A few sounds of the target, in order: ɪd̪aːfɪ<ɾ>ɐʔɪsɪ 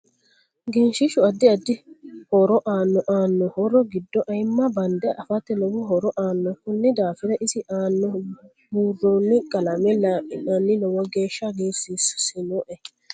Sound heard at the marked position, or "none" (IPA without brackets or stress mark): ɾ